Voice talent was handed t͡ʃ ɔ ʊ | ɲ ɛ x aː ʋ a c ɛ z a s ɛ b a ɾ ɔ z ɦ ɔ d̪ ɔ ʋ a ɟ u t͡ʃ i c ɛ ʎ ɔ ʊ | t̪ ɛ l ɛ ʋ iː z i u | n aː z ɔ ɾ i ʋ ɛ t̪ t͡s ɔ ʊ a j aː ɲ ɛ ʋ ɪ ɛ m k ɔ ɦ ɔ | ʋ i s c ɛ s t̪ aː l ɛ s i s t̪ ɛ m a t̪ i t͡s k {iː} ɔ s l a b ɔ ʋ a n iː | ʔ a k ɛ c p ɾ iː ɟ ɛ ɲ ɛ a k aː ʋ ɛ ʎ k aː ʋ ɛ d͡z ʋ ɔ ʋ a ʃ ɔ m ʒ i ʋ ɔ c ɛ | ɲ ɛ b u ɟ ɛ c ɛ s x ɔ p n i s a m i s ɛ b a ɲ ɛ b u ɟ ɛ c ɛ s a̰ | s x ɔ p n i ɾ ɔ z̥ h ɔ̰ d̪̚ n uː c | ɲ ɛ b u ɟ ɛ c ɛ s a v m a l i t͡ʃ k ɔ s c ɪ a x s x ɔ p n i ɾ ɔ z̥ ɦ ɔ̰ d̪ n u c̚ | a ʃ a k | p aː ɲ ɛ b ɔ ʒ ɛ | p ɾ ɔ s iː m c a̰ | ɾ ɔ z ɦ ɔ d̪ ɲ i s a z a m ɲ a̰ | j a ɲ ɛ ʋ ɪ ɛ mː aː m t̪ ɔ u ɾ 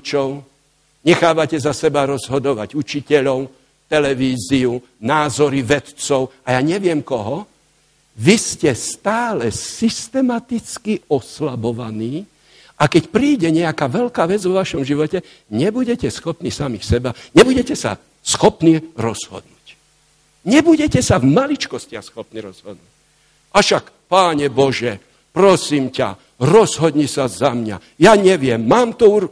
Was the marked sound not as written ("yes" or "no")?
yes